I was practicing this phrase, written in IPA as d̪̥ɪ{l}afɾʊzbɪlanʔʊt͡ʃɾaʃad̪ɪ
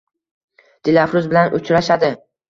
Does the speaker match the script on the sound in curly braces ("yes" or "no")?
yes